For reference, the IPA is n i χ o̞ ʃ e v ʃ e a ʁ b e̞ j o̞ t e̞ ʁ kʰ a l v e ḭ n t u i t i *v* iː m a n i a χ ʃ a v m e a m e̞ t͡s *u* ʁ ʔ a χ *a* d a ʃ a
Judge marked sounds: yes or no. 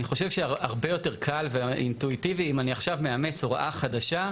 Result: yes, no, yes

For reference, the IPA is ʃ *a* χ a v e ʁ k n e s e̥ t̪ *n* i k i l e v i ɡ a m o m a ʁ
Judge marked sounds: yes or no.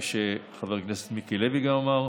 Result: no, no

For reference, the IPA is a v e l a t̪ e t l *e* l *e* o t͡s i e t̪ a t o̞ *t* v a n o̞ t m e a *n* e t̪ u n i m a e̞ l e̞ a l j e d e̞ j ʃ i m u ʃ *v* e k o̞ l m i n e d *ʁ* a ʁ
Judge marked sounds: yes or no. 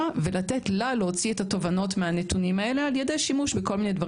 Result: no, yes, no, yes, no, no

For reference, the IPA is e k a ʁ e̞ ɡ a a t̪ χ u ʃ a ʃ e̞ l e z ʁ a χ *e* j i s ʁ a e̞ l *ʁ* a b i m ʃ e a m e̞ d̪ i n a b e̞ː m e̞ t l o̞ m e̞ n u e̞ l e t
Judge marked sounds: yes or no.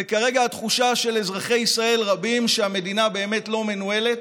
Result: yes, yes

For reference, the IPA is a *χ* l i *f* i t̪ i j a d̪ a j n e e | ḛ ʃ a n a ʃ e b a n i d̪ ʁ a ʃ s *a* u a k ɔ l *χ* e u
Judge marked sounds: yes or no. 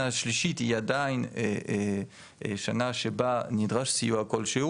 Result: no, no, no, no

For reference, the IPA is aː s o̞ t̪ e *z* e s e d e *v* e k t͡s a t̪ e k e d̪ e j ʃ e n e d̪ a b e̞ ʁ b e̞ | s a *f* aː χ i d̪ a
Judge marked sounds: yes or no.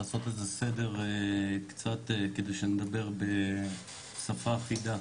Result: yes, no, yes

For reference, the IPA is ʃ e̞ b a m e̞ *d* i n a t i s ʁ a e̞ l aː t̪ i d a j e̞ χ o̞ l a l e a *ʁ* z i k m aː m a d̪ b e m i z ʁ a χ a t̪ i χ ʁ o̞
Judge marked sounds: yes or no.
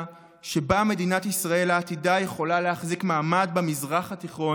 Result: yes, no

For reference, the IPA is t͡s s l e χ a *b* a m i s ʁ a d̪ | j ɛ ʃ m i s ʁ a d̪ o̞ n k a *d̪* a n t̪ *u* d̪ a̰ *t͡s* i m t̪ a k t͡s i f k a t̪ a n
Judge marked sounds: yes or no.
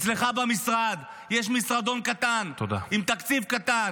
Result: yes, no, no, no

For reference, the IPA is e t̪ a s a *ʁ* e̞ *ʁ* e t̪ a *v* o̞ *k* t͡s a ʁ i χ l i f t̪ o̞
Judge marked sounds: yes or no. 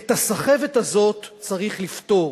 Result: no, no, no, no

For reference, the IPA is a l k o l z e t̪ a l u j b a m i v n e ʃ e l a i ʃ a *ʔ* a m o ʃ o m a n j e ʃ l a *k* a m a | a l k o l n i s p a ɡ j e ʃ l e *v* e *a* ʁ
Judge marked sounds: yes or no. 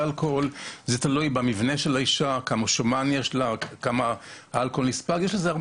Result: no, yes, no, yes

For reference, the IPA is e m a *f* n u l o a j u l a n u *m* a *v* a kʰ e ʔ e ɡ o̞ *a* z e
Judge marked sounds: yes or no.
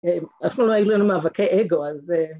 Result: yes, yes, yes, yes

